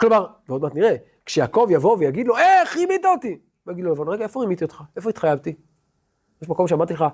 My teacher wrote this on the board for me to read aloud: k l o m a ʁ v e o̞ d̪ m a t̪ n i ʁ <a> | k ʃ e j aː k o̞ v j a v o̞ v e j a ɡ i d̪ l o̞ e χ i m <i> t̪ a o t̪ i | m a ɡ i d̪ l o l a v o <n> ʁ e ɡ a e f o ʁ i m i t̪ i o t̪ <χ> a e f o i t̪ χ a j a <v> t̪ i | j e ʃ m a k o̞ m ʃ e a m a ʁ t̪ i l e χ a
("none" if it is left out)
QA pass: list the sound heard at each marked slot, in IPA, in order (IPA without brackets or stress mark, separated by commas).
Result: e, i, n, χ, v